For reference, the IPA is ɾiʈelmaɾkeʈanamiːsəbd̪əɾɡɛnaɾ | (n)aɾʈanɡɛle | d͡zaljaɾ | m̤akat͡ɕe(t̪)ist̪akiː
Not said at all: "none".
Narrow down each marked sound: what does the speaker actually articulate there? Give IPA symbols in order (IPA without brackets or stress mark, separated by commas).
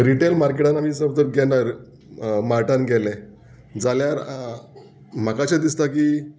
m, d̪